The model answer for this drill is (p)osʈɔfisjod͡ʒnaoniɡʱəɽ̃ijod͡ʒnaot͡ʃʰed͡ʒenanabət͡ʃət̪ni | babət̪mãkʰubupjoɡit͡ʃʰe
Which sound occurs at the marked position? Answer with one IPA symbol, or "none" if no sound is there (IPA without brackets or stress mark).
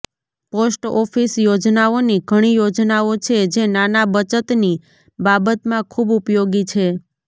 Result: p